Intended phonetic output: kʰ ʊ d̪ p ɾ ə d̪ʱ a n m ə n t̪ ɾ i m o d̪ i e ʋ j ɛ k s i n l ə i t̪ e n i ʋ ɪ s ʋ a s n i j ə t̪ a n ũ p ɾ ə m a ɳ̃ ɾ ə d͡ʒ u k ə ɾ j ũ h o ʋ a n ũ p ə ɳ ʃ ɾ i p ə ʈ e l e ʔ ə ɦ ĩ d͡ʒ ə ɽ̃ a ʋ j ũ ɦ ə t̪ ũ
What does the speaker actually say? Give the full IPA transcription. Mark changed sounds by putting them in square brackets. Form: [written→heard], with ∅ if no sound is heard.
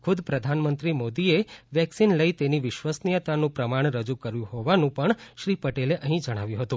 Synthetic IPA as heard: kʰ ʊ d̪ p ɾ ə d̪ʱ a n m ə n t̪ ɾ i m o d̪ i e ʋ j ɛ k s i n l ə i t̪ e n i ʋ ɪ [s→ʃ] ʋ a s n i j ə t̪ a n ũ p ɾ ə m a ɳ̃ ɾ ə d͡ʒ u k ə ɾ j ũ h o ʋ a n ũ p ə ɳ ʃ ɾ i p ə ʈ e l e ʔ ə ɦ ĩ d͡ʒ ə ɽ̃ a ʋ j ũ ɦ ə t̪ ũ